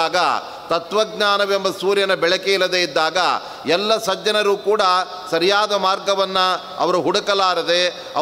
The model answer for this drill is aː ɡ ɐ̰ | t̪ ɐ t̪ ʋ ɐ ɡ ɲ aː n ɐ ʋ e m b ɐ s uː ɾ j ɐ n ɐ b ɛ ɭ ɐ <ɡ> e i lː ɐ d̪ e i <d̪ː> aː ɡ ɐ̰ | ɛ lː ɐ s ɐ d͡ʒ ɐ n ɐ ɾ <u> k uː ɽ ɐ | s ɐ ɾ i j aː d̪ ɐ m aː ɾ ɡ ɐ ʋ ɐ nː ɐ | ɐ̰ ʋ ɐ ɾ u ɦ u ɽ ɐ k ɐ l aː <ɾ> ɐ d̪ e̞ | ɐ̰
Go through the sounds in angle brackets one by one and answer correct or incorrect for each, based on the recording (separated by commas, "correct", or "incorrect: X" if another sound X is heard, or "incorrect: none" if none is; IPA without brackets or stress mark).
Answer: incorrect: k, correct, incorrect: uː, correct